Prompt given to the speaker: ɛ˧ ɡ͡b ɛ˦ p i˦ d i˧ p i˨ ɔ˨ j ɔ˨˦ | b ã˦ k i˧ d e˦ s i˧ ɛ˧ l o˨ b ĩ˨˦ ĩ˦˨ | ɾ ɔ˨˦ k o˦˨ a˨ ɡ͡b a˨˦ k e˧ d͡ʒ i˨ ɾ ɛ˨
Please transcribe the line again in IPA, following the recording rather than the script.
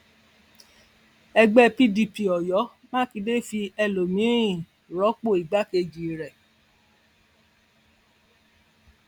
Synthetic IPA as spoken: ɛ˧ ɡ͡b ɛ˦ p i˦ d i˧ p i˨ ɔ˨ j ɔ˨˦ | m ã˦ k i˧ d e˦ f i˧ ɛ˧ l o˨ m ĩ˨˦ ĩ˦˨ | ɾ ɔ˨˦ k͡p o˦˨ i˨ ɡ͡b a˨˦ k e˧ d͡ʒ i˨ ɾ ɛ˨

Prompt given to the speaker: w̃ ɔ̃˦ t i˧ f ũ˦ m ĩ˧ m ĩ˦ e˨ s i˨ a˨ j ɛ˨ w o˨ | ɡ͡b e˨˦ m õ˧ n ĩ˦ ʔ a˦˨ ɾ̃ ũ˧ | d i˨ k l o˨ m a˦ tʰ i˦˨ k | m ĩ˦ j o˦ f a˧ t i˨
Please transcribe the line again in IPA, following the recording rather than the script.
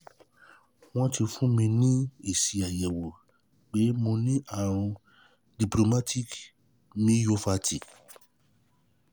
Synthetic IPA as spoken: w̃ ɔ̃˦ t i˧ f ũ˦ m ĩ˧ n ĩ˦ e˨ s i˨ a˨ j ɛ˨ w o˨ | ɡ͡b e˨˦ m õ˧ n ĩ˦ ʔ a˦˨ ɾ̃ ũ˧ | d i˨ p l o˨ m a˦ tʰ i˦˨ k | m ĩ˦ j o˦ f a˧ t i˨

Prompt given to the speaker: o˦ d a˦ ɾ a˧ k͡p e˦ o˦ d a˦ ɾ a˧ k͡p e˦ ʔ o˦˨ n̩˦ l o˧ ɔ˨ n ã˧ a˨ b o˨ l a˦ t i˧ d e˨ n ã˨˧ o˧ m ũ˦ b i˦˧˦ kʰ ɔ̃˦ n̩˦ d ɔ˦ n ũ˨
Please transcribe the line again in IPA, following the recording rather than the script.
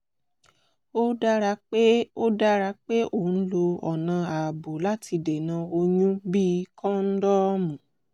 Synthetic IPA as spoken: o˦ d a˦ ɾ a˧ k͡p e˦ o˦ d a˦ ɾ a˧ k͡p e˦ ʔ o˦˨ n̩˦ l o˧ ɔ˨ n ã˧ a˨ b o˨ l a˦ t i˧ d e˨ n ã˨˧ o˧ ɲ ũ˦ b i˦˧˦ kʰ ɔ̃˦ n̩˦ d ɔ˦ m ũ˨

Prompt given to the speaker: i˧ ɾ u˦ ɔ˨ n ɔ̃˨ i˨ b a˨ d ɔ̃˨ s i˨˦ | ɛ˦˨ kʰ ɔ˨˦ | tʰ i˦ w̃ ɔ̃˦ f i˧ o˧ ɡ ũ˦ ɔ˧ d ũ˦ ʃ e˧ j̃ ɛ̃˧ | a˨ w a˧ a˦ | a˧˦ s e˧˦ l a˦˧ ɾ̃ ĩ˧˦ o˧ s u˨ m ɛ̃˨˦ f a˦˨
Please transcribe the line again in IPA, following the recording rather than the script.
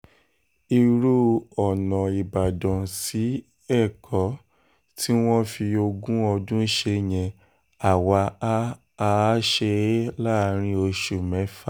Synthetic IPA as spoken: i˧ ɾ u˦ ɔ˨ n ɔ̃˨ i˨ b a˨ d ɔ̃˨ s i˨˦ | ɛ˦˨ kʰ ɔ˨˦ | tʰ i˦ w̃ ɔ̃˦ f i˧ o˧ ɡ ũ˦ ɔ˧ d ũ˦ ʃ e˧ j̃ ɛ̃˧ | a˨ w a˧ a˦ | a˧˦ ʃ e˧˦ l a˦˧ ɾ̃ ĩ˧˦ o˧ ʃ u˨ m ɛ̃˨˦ f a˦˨

